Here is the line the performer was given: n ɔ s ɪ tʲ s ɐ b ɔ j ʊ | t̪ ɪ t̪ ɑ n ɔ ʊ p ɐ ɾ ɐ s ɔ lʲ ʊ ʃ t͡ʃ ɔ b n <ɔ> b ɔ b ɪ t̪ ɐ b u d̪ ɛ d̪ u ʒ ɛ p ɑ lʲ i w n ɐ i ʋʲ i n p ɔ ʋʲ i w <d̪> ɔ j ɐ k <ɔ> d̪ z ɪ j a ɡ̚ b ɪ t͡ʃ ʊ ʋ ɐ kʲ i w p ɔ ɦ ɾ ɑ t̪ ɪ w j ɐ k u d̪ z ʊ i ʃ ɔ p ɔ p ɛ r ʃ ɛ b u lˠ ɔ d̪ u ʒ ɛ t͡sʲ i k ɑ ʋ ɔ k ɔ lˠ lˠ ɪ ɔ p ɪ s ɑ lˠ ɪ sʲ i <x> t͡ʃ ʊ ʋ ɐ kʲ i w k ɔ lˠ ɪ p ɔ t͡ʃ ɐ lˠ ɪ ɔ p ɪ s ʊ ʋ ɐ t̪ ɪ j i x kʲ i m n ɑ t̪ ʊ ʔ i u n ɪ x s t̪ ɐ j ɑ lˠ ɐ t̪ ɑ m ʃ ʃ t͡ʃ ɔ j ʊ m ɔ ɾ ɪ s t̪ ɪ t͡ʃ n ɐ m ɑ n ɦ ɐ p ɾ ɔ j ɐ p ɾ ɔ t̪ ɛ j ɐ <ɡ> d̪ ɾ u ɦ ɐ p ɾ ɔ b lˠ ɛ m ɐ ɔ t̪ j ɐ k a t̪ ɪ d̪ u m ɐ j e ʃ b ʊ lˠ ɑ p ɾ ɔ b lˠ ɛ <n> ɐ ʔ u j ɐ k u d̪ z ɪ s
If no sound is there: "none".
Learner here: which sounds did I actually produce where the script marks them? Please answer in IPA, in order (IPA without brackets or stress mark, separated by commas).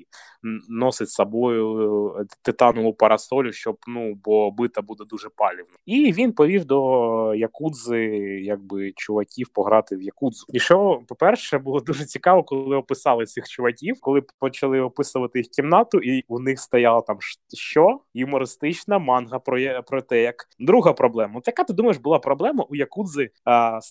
u, d̪, u, x, k, m